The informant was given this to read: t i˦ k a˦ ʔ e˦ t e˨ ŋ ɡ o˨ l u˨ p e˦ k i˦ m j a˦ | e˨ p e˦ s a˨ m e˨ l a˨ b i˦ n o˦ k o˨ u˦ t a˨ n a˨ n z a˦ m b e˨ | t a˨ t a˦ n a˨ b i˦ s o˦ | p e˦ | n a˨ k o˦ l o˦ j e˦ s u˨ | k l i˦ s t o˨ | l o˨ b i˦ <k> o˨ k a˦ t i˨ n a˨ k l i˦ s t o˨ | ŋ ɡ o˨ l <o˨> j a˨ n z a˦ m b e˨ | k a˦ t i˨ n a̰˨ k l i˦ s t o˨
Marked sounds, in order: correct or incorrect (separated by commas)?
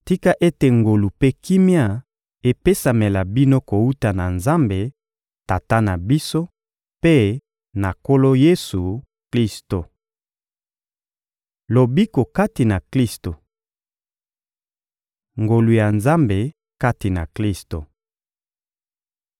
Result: correct, incorrect